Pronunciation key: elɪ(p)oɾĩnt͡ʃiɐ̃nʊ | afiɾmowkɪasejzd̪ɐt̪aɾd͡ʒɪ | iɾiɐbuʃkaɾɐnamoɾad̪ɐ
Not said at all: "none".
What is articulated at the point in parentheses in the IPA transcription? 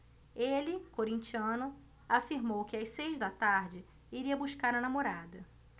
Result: k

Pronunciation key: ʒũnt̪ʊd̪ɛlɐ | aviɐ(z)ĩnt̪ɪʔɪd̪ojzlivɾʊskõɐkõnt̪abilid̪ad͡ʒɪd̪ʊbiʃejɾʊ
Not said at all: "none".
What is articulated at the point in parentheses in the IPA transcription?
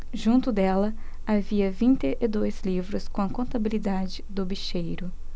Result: v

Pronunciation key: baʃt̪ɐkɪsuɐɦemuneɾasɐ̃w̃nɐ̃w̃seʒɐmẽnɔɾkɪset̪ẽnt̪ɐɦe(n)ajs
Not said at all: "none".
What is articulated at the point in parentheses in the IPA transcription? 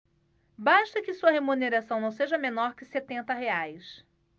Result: none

